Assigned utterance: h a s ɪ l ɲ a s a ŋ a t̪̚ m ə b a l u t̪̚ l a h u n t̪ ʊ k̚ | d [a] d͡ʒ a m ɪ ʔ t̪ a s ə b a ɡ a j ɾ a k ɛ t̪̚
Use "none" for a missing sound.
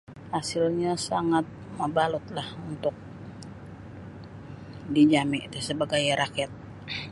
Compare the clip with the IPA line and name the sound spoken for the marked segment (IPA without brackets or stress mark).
i